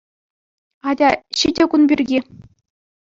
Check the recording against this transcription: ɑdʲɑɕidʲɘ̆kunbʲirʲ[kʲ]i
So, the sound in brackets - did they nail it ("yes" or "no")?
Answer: no